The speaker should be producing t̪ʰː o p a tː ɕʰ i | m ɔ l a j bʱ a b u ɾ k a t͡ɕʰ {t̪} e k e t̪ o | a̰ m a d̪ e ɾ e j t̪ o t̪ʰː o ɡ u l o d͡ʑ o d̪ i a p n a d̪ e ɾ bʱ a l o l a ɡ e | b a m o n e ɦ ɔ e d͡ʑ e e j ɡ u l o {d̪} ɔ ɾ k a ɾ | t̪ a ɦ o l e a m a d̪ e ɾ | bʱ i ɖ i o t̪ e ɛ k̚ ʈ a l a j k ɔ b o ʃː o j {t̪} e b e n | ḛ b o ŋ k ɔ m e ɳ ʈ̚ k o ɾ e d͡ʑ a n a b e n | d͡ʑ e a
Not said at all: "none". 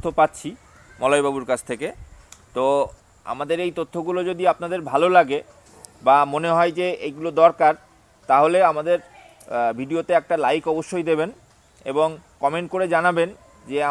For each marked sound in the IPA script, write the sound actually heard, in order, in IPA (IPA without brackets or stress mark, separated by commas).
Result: t̪ʰ, d̪, d̪